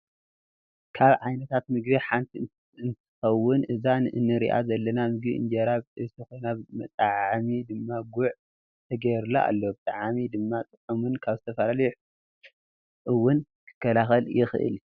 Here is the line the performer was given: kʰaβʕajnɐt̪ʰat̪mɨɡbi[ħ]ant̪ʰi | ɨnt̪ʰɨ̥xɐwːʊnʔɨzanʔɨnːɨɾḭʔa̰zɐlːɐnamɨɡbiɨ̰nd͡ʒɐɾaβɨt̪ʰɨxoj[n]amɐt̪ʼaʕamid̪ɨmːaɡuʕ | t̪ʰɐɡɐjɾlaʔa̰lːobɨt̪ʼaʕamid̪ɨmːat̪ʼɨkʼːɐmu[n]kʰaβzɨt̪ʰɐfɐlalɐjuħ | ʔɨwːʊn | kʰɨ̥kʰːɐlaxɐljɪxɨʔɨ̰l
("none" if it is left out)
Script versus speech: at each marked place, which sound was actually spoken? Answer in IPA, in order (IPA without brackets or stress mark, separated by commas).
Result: ħ, n, n